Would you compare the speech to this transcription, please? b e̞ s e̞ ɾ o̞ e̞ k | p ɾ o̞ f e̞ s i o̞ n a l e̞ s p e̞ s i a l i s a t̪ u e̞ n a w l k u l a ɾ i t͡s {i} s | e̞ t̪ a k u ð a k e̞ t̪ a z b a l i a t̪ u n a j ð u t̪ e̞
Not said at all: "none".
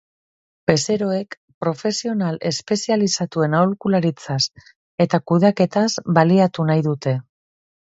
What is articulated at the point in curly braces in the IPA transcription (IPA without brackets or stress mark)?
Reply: a